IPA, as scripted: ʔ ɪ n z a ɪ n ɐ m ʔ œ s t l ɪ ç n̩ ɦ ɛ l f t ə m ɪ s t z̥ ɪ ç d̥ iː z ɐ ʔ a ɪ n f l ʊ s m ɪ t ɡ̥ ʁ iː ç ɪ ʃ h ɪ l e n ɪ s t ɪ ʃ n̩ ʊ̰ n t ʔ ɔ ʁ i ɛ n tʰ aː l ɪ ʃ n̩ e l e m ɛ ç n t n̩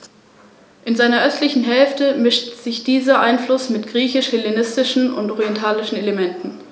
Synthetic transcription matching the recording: ʔ ɪ n z a ɪ n ɐ ʔ œ s t l ɪ ç n̩ ɦ ɛ l f t ə m ɪ ʃ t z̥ ɪ ç d̥ iː z ɐ ʔ a ɪ n f l ʊ s m ɪ t ɡ̥ ʁ iː ç ɪ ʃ h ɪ l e n ɪ s t ɪ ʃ n̩ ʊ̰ n t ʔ ɔ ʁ i ɛ n tʰ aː l ɪ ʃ n̩ e l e m ɛ n t n̩

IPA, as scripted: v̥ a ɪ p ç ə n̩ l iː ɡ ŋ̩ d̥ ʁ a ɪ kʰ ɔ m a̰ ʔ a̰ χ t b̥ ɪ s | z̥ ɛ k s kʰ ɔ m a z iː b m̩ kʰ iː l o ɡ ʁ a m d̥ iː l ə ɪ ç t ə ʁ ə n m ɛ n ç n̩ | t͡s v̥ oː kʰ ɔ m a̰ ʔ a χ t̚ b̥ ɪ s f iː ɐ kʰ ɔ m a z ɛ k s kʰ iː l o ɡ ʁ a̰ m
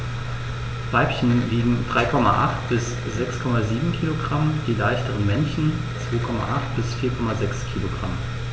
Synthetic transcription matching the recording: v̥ a ɪ p ç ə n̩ l iː ɡ ŋ̩ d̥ ʁ a ɪ kʰ ɔ m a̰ ʔ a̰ χ t b̥ ɪ s | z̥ ɛ k s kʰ ɔ m a z iː b m̩ kʰ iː l o ɡ ʁ a m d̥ iː l a ɪ ç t ə ʁ ə n m ɛ n ç n̩ | t͡s v̥ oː kʰ ɔ m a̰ ʔ a χ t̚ b̥ ɪ s f iː ɐ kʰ ɔ m a z ɛ k s kʰ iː l o ɡ ʁ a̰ m

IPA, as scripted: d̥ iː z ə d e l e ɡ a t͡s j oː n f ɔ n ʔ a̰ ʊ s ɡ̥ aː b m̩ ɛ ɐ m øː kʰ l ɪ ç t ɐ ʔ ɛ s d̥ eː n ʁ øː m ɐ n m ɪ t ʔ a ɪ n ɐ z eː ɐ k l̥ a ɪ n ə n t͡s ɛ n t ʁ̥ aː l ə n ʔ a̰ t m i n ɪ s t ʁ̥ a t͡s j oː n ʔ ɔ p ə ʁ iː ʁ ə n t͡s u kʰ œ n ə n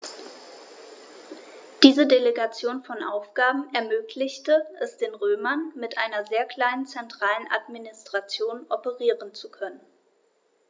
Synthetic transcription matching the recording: d̥ iː z ə d e l e ɡ a t͡s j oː n f ɔ n ʔ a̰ ʊ f ɡ̥ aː b m̩ ɛ ɐ m øː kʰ l ɪ ç t ə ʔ ɛ s d̥ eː n ʁ øː m ɐ n m ɪ t ʔ a ɪ n ɐ z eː ɐ k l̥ a ɪ n ə n t͡s ɛ n t ʁ̥ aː l ə n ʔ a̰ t m i n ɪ s t ʁ̥ a t͡s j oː n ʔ ɔ p ə ʁ iː ʁ ə n t͡s u kʰ œ n ə n

